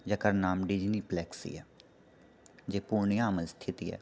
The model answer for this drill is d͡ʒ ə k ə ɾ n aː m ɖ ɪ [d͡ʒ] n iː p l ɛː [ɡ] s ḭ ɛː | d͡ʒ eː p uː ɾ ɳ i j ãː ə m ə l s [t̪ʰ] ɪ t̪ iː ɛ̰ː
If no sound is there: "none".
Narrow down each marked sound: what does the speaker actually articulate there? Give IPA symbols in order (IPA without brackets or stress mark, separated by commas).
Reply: d͡ʒ, k, t̪ʰ